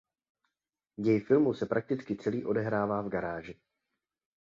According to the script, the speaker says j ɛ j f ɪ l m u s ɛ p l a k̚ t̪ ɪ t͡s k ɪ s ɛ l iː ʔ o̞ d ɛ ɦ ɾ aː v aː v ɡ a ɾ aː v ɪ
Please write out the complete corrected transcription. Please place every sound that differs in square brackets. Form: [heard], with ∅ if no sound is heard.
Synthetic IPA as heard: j ɛ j f ɪ l m u s ɛ p [ɾ] a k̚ t̪ ɪ t͡s k ɪ [t͡s] ɛ l iː ʔ o̞ d ɛ ɦ ɾ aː v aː v ɡ a ɾ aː [ʒ] ɪ